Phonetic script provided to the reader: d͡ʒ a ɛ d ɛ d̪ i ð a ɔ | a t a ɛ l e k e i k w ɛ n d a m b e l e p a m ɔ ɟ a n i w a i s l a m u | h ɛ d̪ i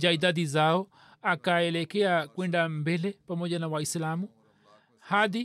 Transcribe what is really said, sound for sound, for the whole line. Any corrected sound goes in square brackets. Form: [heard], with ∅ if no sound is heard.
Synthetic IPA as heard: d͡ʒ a [i] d [a] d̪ i [z] a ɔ | a [k] a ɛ l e k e [a] k w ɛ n d a m b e l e p a m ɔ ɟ a n [a] w a i s l a m u | h [a] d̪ i